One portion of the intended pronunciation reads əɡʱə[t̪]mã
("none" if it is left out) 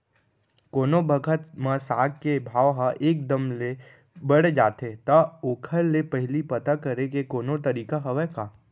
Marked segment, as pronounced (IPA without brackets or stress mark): t̪